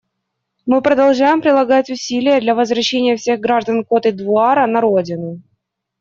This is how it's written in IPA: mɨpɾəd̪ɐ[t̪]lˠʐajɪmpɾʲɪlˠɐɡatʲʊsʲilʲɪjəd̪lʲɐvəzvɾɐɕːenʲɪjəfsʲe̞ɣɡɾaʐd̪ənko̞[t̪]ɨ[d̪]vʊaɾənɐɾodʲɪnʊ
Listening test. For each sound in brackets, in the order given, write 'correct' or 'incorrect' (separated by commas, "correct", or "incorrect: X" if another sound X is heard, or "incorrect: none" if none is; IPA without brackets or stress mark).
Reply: incorrect: none, correct, correct